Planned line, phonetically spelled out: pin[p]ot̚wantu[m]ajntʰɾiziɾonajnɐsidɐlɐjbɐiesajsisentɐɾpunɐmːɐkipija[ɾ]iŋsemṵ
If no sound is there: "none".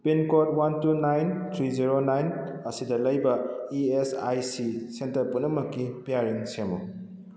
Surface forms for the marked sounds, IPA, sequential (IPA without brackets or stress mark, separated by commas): k, n, ɾ